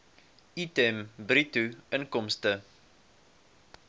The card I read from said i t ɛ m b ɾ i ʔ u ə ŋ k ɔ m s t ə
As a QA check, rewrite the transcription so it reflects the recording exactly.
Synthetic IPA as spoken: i t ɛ m b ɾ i t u ə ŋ k ɔ m s t ə